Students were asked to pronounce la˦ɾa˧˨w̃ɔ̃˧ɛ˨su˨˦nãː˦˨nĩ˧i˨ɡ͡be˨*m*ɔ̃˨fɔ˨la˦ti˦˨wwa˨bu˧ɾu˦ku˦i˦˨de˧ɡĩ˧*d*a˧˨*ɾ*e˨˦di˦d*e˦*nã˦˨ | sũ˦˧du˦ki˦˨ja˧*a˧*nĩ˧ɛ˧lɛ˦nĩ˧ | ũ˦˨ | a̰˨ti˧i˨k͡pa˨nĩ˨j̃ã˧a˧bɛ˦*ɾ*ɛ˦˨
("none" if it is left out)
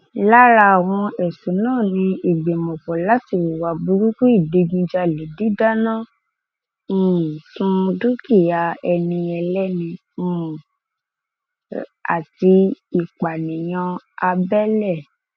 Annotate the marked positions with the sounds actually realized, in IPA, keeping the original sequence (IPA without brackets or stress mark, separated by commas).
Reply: m, d͡ʒ, l, a˦, ɛ˧, l